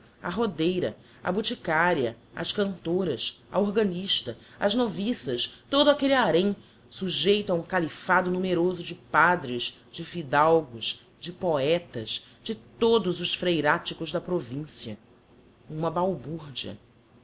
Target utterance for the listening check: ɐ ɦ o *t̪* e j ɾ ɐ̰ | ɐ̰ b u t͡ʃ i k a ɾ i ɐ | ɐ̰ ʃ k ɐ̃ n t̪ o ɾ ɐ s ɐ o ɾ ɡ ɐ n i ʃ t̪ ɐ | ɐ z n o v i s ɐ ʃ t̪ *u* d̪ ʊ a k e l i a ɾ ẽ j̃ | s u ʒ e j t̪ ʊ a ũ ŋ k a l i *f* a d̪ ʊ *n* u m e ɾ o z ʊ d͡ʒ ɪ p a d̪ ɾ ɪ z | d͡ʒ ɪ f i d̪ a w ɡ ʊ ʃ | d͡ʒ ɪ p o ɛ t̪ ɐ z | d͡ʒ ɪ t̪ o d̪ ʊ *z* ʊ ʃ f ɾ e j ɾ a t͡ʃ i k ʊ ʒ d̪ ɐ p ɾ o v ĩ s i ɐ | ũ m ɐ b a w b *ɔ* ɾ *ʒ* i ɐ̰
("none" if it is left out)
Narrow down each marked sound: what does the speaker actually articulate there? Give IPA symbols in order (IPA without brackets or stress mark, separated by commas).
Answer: d̪, o, f, n, z, u, d͡ʒ